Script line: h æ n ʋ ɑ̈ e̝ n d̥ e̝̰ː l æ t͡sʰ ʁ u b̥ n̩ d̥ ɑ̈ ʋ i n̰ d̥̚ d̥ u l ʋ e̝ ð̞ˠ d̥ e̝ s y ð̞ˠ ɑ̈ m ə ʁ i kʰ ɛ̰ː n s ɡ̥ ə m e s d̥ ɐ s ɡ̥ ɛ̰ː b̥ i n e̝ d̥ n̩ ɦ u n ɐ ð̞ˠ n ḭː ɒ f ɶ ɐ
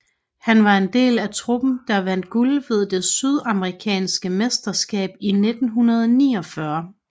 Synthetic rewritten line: h æ n ʋ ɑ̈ e̝ n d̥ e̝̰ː l æ t͡sʰ ʁ u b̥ n̩ d̥ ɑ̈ ʋ æ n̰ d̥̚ ɡ̥ u l ʋ e̝ ð̞ˠ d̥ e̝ s y ð̞ˠ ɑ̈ m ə ʁ i kʰ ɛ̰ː n s ɡ̥ ə m e s d̥ ɐ s ɡ̥ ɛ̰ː b̥ i n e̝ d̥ n̩ ɦ u n ɐ ð̞ˠ n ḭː ɒ f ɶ ɐ